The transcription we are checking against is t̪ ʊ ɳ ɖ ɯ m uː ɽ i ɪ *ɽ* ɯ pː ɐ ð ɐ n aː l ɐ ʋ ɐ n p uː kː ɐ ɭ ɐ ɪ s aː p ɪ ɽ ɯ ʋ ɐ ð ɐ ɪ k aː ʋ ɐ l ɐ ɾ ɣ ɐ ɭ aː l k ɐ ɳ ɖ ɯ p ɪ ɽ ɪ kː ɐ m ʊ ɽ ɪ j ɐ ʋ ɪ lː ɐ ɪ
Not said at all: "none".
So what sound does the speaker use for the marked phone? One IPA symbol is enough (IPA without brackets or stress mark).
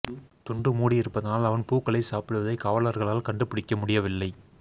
ɾ